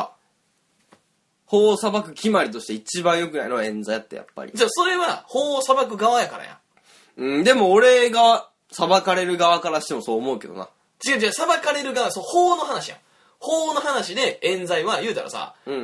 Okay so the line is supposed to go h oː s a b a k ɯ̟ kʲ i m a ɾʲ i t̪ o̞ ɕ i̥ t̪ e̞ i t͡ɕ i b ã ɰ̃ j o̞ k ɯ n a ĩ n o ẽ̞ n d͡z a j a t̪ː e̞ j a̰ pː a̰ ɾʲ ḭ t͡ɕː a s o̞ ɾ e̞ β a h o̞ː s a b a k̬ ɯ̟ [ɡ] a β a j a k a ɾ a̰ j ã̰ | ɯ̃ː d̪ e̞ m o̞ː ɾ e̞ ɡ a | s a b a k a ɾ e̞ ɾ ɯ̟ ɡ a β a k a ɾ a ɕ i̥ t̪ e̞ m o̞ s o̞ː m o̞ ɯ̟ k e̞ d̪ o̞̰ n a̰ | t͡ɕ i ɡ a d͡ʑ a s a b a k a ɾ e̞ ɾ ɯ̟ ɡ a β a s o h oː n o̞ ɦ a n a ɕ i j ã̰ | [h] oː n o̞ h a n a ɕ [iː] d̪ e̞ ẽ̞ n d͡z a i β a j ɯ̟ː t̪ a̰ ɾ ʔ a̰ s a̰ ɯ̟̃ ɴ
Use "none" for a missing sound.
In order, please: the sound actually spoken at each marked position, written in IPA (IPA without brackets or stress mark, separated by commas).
ɡ, h, i